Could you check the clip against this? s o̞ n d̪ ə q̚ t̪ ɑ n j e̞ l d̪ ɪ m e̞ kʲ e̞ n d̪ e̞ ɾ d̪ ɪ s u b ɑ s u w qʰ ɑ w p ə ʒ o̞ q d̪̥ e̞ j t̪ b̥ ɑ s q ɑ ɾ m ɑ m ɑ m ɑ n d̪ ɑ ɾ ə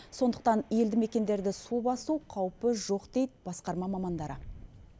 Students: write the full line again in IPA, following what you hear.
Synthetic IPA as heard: s o̞ n d̪ ə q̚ t̪ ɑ n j e̞ l d̪ ɪ m e̞ kʲ e̞ n d̪ e̞ ɾ d̪ ɪ s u b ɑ s u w qʰ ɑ w p ə ʒ o̞ q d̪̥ e̞ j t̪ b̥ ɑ s q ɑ ɾ m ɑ m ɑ m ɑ n d̪ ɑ ɾ ə